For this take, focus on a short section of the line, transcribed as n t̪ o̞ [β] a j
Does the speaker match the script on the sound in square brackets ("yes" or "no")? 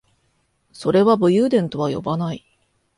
yes